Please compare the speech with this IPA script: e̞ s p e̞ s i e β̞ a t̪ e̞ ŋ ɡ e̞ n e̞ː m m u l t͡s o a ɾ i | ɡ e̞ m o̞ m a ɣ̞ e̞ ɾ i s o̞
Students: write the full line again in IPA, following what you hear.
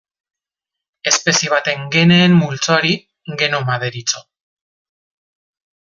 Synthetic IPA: e̞ s p e̞ s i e β̞ a t̪ e̞ ŋ ɡ e̞ n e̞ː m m u l t͡s o a ɾ i | ɡ e̞ n o̞ m a ð̞ e̞ ɾ i t͡s o̞